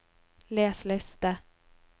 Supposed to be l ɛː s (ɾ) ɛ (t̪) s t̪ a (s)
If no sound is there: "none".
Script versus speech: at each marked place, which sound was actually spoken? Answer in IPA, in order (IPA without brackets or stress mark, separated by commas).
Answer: l, none, none